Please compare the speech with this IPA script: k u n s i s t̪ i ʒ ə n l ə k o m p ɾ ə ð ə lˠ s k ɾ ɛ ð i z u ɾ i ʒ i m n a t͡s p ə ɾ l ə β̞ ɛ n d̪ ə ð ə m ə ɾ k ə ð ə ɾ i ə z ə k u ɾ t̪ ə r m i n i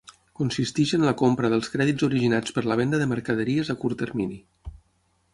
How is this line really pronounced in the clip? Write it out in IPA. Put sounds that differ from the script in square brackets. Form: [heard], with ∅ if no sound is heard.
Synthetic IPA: k u n s i s t̪ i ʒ ə n l ə k o m p ɾ ə ð ə lˠ s k ɾ ɛ ð i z u ɾ i ʒ i [∅] n a t͡s p ə ɾ l ə β̞ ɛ n d̪ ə ð ə m ə ɾ k ə ð ə ɾ i ə z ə k u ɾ t̪ ə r m i n i